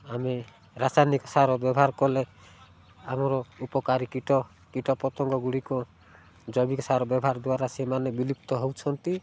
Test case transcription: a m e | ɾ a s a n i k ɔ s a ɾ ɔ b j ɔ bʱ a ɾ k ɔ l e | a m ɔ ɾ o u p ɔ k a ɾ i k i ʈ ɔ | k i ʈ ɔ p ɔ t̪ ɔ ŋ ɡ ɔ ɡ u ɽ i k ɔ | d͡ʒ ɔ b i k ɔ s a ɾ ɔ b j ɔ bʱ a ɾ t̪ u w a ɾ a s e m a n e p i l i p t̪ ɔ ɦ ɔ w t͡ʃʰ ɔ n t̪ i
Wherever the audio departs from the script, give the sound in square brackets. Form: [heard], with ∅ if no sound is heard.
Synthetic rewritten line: a m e | ɾ a s a n i k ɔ s a ɾ ɔ b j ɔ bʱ a ɾ k ɔ l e | a m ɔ ɾ [ɔ] u p ɔ k a ɾ i k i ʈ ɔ | k i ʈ ɔ p ɔ t̪ ɔ ŋ ɡ ɔ ɡ u ɽ i k ɔ | d͡ʒ ɔ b i k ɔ s a ɾ ɔ b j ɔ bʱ a ɾ [d̪] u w a ɾ a s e m a n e [b] i l i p t̪ ɔ ɦ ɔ w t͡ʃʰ ɔ n t̪ i